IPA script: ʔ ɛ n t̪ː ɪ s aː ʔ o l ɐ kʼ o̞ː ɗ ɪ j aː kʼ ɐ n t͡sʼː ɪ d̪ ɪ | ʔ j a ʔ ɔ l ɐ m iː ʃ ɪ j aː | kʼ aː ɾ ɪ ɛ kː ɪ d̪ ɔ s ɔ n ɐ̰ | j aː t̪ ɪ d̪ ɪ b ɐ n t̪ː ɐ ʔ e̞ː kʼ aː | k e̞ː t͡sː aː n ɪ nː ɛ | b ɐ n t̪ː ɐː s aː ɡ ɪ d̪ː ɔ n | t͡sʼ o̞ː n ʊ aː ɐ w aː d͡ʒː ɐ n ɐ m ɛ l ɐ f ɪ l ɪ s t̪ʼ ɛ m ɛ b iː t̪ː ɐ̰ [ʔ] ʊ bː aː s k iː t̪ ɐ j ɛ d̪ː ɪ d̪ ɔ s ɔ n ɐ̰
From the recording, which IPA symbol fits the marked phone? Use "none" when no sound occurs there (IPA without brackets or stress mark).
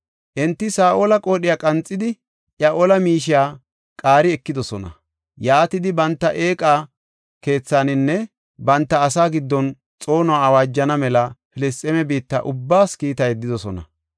ʔ